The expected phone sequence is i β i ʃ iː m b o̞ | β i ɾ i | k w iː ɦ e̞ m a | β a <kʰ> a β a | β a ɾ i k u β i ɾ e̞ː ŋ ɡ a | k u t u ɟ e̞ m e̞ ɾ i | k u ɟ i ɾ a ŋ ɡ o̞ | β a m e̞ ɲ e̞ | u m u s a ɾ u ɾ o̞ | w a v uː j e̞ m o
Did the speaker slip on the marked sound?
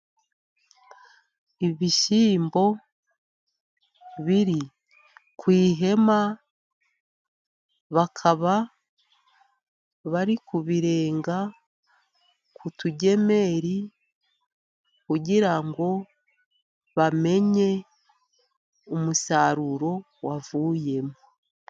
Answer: no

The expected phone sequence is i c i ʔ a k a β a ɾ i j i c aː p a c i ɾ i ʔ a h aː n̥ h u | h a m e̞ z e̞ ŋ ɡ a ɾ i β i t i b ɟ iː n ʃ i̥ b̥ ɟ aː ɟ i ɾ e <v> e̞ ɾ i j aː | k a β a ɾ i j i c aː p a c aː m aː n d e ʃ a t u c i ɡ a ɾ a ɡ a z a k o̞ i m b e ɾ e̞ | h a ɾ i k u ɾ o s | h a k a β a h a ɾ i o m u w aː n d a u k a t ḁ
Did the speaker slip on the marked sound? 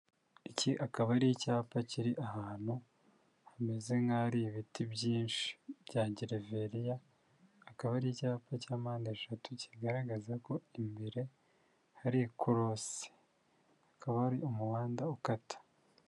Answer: no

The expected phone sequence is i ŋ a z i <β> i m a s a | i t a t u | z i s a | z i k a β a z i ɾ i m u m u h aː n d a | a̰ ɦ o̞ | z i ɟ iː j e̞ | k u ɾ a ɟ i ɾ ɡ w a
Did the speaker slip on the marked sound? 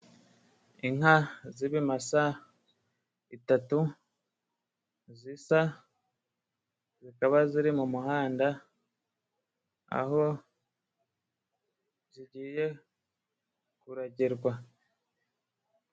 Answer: no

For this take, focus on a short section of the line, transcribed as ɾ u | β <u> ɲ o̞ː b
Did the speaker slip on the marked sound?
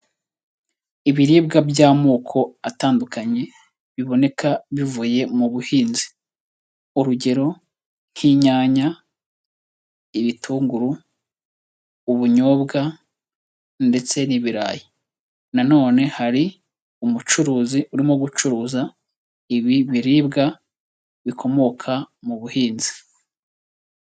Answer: no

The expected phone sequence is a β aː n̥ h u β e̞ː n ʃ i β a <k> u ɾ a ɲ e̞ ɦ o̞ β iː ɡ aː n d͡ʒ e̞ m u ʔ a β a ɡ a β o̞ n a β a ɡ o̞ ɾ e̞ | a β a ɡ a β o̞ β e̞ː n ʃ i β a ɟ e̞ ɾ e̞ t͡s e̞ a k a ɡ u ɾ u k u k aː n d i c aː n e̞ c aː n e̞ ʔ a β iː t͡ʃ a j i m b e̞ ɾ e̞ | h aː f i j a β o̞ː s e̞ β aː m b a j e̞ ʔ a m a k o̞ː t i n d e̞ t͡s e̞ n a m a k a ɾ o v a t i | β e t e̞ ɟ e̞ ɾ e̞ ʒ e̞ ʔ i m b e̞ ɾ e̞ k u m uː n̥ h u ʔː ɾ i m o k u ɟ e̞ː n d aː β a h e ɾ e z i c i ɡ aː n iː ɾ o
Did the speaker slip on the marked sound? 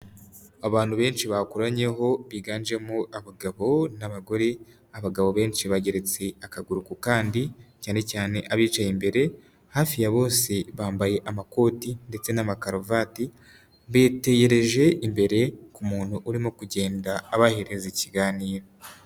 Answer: no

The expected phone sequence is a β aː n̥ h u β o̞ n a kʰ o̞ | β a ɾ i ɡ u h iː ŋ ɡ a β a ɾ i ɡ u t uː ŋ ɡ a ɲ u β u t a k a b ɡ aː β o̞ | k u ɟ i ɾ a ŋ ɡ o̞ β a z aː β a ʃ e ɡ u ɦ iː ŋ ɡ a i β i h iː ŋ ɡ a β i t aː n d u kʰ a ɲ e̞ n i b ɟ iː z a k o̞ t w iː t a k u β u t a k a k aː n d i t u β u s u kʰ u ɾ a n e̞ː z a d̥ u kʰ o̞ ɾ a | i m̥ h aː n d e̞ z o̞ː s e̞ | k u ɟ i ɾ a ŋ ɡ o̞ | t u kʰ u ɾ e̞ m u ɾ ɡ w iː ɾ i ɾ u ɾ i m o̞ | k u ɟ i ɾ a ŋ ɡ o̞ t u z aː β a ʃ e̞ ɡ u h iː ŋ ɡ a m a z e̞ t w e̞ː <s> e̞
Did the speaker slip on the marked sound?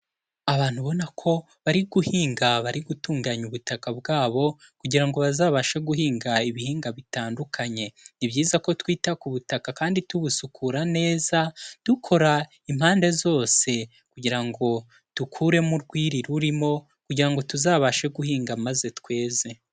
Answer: yes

